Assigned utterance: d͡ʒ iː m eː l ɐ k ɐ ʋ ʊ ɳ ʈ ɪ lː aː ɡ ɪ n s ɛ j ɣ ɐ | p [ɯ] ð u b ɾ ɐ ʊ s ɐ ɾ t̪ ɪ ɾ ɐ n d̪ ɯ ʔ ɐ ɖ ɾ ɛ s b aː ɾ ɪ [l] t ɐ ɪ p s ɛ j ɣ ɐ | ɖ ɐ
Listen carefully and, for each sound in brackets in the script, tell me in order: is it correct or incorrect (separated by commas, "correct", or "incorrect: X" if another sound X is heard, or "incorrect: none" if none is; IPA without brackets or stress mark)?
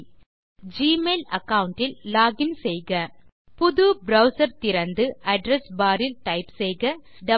incorrect: ʊ, correct